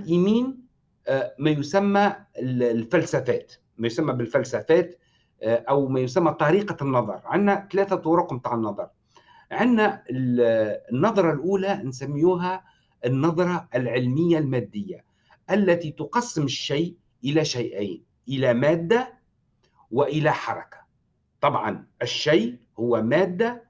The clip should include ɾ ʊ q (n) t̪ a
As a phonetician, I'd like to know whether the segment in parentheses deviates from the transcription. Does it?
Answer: yes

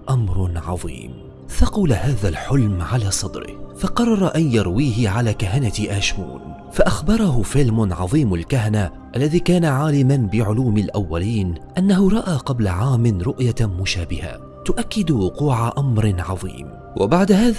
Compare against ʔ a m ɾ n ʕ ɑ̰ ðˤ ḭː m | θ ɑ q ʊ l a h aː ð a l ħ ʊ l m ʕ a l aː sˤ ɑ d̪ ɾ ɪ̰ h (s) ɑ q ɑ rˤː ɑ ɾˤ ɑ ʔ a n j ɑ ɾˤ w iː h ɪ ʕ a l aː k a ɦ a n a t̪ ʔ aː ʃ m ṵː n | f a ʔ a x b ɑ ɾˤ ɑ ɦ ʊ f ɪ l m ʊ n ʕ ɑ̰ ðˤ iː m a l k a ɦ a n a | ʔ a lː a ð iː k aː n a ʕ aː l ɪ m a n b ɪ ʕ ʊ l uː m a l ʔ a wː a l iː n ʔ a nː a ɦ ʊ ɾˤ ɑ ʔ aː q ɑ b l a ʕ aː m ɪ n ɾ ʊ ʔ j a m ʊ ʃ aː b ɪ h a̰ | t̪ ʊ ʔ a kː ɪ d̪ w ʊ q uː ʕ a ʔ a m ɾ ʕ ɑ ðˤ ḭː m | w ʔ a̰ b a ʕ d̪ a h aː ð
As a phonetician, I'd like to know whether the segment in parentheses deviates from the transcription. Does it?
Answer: yes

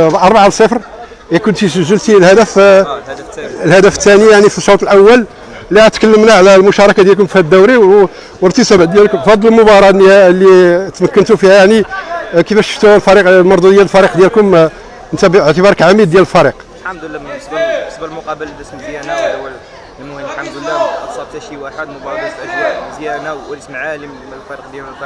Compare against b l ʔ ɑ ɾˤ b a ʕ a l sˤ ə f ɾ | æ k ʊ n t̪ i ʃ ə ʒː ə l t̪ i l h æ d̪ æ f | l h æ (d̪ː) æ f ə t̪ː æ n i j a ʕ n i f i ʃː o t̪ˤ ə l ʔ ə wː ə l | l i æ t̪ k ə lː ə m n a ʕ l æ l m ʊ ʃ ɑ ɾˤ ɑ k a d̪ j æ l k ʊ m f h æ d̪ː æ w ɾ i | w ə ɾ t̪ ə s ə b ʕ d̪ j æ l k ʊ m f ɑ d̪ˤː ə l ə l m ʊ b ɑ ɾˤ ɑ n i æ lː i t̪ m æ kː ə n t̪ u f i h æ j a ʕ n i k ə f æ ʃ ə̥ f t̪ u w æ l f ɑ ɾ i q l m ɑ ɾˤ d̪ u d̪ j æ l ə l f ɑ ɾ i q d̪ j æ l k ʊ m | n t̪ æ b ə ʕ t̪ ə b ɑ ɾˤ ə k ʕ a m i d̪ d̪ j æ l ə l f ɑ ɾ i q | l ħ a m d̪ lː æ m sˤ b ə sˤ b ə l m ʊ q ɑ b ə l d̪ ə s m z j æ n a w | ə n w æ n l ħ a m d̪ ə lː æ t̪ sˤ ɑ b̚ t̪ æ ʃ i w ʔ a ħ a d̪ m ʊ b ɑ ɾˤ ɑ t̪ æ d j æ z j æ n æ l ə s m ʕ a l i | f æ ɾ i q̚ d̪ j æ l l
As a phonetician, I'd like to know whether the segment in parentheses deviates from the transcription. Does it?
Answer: yes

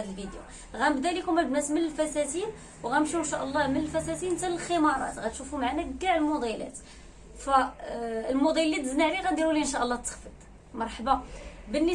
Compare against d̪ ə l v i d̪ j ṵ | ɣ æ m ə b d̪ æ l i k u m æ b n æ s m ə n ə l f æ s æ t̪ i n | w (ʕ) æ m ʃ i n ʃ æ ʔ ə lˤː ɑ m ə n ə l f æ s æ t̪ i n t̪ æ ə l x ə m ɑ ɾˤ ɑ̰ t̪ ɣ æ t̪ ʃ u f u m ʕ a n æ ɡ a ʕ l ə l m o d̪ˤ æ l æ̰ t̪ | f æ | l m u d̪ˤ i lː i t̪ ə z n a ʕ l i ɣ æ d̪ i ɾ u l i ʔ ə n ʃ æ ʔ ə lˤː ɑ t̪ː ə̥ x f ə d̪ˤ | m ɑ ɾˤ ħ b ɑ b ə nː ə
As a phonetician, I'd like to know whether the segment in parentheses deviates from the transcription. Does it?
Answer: yes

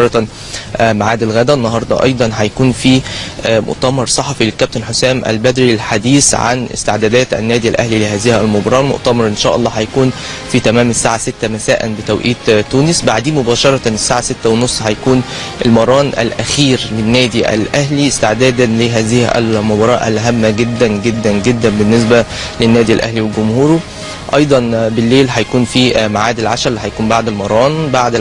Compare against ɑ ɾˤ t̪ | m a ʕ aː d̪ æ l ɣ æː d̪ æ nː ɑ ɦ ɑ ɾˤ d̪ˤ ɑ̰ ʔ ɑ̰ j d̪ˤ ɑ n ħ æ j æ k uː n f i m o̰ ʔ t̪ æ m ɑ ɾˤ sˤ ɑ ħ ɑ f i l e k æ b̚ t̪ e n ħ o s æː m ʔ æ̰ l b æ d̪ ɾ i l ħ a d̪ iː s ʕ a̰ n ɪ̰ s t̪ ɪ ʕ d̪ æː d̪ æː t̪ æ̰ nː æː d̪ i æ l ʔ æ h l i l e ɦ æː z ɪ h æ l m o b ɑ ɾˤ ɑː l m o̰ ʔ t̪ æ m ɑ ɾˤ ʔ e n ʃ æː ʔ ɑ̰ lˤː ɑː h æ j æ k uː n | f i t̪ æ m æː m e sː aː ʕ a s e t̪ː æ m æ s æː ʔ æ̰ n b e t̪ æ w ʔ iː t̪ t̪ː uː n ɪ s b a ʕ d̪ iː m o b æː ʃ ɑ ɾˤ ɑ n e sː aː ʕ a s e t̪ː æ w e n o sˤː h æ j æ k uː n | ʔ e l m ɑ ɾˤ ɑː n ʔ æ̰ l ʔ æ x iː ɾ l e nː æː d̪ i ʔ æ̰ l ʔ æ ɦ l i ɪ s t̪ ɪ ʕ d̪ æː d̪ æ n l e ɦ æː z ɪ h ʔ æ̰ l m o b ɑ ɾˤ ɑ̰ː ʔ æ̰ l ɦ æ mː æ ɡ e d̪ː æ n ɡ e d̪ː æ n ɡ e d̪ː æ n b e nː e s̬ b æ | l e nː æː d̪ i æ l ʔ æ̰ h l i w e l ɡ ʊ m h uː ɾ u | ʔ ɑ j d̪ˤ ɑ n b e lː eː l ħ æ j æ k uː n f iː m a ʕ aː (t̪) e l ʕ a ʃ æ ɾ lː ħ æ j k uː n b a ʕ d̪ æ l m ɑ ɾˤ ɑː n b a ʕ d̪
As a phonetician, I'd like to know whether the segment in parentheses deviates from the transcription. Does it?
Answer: yes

